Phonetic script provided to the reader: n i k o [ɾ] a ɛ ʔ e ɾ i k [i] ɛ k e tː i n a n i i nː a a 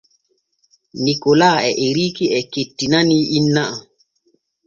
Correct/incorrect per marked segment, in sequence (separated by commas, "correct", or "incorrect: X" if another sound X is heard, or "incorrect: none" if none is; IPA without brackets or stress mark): incorrect: l, correct